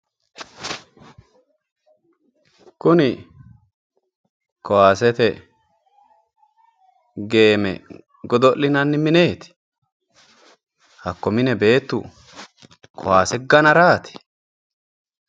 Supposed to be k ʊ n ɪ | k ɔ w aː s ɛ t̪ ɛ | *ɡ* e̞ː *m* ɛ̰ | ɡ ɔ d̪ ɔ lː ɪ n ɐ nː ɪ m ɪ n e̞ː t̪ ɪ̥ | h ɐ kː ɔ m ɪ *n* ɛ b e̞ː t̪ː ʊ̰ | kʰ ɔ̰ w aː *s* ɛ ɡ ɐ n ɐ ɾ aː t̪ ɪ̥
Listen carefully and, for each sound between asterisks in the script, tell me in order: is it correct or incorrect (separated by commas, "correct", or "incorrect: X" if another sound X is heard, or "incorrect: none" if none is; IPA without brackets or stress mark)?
correct, correct, correct, correct